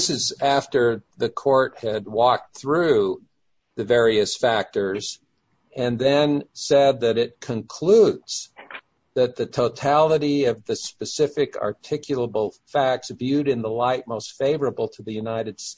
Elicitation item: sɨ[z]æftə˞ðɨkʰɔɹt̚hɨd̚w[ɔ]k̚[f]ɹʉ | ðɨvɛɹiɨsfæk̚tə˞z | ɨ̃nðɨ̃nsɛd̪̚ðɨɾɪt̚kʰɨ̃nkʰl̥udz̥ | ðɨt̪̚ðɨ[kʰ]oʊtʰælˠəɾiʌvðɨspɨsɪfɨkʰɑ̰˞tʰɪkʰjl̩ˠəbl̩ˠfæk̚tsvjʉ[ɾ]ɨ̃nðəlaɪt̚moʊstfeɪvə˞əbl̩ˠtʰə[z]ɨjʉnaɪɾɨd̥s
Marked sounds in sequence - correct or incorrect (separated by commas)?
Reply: correct, correct, incorrect, incorrect, correct, incorrect